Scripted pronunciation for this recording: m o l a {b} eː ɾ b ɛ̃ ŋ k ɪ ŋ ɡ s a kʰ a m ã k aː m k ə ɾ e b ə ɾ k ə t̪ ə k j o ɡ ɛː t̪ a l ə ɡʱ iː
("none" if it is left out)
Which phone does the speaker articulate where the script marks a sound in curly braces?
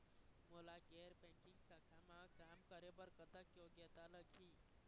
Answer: ɡ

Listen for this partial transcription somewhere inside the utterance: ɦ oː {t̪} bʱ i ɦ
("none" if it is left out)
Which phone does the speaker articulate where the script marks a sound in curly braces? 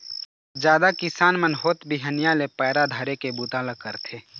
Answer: t̪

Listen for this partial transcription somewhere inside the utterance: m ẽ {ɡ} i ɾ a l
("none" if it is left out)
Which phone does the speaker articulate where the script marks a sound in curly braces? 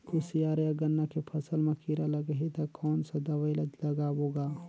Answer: k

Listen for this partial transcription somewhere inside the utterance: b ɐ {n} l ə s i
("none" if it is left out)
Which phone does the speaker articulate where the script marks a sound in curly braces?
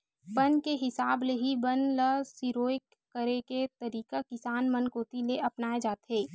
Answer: n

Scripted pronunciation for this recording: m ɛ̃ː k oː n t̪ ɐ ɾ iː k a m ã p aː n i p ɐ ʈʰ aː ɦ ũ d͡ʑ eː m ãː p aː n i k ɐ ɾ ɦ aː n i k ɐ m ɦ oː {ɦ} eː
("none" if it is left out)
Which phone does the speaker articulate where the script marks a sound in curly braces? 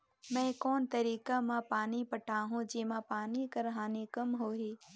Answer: ɦ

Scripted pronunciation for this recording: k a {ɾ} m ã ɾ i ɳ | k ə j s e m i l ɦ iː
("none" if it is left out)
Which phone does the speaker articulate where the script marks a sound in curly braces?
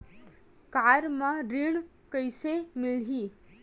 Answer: ɾ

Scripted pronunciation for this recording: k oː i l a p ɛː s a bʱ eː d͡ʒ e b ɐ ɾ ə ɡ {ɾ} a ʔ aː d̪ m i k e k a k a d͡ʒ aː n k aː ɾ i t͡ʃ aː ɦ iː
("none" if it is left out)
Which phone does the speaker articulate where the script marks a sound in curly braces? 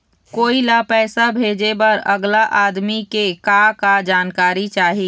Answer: l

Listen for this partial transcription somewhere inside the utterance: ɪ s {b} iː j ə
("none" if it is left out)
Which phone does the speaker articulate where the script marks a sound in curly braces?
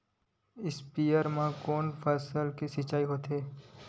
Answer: p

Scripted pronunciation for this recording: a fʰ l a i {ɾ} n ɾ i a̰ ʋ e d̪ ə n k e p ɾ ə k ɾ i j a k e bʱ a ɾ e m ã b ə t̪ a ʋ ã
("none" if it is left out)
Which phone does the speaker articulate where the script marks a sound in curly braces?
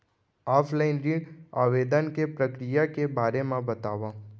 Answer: none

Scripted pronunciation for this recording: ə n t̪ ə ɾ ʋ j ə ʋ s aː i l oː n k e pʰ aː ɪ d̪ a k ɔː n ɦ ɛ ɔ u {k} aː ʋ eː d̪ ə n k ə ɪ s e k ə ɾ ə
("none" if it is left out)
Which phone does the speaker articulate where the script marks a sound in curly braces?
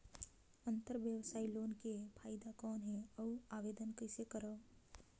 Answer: none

